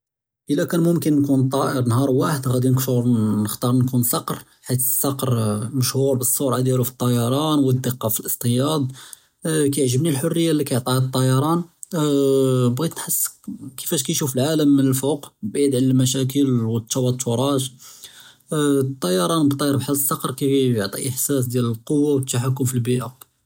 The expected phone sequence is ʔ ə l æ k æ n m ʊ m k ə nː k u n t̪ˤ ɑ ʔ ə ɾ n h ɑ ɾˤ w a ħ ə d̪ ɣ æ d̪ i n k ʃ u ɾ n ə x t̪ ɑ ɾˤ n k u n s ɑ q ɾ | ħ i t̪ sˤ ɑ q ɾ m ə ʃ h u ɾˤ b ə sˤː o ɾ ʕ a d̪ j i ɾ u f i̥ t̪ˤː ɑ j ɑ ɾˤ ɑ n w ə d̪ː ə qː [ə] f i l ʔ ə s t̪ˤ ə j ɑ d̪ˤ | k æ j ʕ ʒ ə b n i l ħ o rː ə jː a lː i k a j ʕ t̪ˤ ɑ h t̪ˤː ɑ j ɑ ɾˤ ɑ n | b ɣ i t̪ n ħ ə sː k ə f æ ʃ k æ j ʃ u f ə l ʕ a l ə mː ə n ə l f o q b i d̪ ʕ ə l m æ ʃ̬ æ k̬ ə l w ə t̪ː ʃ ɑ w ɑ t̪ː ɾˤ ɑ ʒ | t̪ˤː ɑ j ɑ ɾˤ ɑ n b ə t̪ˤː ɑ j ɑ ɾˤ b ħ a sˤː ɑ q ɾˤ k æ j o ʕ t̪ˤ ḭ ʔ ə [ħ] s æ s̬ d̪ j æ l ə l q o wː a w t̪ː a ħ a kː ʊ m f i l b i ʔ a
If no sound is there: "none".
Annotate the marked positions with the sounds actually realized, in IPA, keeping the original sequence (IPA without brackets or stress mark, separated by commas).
ɑ, ħ